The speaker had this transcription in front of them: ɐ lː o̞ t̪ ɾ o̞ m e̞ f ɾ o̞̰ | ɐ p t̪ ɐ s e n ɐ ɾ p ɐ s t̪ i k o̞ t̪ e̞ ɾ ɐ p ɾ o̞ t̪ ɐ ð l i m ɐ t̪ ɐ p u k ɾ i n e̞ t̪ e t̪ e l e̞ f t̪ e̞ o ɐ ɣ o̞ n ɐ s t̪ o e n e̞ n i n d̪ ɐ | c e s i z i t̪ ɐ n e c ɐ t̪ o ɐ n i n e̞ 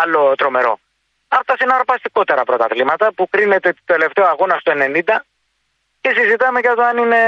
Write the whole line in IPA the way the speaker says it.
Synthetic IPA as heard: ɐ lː o̞ t̪ ɾ o̞ m e̞ ɾ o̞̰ | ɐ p t̪ ɐ s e n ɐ ɾ p ɐ s t̪ i k o̞ t̪ e̞ ɾ ɐ p ɾ o̞ t̪ ɐ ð l i m ɐ t̪ ɐ p u k ɾ i n e̞ t̪ e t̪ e l e̞ f t̪ e̞ o ɐ ɣ o̞ n ɐ s t̪ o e n e̞ n i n d̪ ɐ | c e s i z i t̪ ɐ m e c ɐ t̪ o ɐ n i n e̞